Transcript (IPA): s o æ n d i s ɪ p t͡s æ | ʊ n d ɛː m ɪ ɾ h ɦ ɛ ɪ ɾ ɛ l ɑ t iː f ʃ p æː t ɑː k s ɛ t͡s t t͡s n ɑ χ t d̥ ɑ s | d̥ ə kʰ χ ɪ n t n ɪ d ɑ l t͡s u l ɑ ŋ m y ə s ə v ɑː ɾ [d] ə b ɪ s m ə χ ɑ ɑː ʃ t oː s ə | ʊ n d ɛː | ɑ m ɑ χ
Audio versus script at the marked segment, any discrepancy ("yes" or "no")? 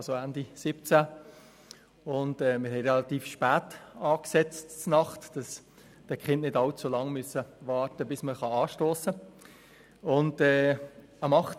yes